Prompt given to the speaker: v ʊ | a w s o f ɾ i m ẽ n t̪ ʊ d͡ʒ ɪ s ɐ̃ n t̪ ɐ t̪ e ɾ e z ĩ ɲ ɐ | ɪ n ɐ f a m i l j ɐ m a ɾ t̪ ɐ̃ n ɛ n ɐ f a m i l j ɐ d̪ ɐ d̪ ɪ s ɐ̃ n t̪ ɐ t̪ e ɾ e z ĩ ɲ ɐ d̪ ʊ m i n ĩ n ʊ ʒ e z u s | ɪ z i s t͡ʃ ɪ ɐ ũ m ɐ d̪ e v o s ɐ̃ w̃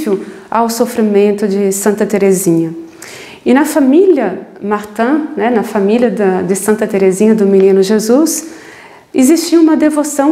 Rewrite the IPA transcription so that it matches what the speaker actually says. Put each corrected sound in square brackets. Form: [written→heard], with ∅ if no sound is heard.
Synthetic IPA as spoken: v ʊ | a w s o f ɾ i m ẽ n t̪ ʊ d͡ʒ ɪ s ɐ̃ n t̪ ɐ t̪ e ɾ e z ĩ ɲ ɐ | ɪ n ɐ f a m i l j ɐ m a ɾ t̪ ɐ̃ n ɛ n ɐ f a m i l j ɐ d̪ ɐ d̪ ɪ s ɐ̃ n t̪ ɐ t̪ e ɾ e z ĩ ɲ ɐ d̪ ʊ m i n ĩ n ʊ ʒ e z u s | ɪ z i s t͡ʃ [ɪ→i] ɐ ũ m ɐ d̪ e v o s ɐ̃ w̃

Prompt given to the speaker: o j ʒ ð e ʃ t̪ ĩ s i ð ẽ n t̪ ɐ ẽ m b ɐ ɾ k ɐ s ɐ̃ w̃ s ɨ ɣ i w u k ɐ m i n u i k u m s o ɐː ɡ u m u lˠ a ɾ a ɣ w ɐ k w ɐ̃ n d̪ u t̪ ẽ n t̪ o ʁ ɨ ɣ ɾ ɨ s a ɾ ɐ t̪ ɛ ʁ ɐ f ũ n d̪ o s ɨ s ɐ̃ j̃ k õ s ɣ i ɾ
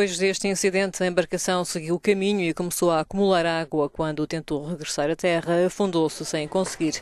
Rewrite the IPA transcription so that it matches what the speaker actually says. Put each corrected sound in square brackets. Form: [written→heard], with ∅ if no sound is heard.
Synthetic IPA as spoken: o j ʒ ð e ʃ t̪ ĩ s i ð ẽ n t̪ ɐ ẽ m b ɐ ɾ k ɐ s ɐ̃ w̃ s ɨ ɣ i w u k ɐ m i [n→ɲ] u i k u m s o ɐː [ɡ→k] u m u lˠ a ɾ a ɣ w ɐ k w ɐ̃ n d̪ u t̪ ẽ n t̪ o ʁ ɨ ɣ ɾ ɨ s a ɾ ɐ t̪ ɛ ʁ ɐ f ũ n d̪ o s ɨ s ɐ̃ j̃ k õ s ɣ i ɾ

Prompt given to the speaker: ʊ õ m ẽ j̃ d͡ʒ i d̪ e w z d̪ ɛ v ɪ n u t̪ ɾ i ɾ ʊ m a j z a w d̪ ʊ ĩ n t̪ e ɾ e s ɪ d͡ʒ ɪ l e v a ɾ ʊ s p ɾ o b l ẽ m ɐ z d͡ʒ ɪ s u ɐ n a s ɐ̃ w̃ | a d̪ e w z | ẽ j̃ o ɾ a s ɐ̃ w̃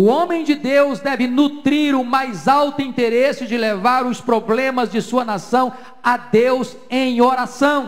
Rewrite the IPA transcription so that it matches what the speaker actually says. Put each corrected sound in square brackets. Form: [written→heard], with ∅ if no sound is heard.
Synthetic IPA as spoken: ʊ õ m ẽ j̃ d͡ʒ [i→ɪ] d̪ e w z d̪ ɛ v ɪ n u t̪ ɾ i ɾ ʊ m a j z a w [d̪→t̪] ʊ ĩ n t̪ e ɾ e s ɪ d͡ʒ ɪ l e v a ɾ ʊ s p ɾ o b l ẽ m ɐ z d͡ʒ ɪ s u ɐ n a s ɐ̃ w̃ | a d̪ e w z | ẽ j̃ o ɾ a s ɐ̃ w̃

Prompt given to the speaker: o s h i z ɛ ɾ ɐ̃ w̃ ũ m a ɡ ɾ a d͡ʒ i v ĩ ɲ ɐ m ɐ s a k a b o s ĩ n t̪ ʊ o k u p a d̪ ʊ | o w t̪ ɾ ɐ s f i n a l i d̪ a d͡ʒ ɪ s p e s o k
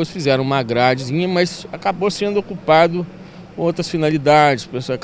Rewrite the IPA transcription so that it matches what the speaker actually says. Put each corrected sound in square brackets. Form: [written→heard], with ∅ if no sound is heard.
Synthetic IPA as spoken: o s [h→f] i z ɛ ɾ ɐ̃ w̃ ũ m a ɡ ɾ a d͡ʒ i [v→z] ĩ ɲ ɐ m ɐ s a k a b o s [ĩ→ẽ] n [t̪→d̪] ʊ o k u p a d̪ ʊ | o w t̪ ɾ ɐ s f i n a l i d̪ a d͡ʒ ɪ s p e s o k

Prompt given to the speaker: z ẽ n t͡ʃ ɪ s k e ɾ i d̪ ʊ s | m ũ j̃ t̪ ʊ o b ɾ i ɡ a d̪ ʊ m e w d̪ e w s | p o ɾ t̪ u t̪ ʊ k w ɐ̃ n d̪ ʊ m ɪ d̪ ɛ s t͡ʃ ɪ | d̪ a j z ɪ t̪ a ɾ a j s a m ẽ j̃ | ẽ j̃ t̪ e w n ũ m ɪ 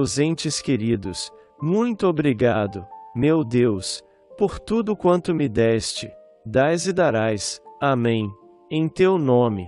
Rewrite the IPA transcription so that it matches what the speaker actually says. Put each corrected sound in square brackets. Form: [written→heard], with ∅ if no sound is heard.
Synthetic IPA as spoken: z ẽ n t͡ʃ ɪ s k e ɾ i d̪ ʊ s | m ũ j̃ t̪ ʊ o b ɾ i ɡ a d̪ ʊ m e w d̪ e w s | p o ɾ t̪ u [t̪→d̪] ʊ k w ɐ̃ n [d̪→t̪] ʊ m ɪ d̪ ɛ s t͡ʃ ɪ | d̪ a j z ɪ [t̪→d̪] a ɾ a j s a m ẽ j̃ | ẽ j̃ t̪ e w n [ũ→õ] m ɪ

